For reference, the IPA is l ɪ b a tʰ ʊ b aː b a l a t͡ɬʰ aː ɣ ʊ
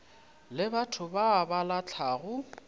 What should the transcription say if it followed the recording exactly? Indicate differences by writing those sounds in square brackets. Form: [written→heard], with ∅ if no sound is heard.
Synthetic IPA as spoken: l ɪ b a tʰ ʊ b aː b a l a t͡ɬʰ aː ɣ ʊ